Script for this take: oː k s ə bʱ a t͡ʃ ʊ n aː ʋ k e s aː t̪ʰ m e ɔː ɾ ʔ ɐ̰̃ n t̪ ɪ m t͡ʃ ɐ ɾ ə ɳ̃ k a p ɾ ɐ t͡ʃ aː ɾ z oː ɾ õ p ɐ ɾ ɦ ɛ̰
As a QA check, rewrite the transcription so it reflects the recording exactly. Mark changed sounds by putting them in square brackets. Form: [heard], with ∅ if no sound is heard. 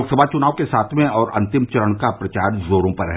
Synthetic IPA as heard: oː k s ə bʱ a t͡ʃ ʊ n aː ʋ k e s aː t̪ʰ m [ẽ] ɔː ɾ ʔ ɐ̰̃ n t̪ ɪ m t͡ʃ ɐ ɾ ə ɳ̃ k a p ɾ ɐ t͡ʃ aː ɾ z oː ɾ õ p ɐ ɾ ɦ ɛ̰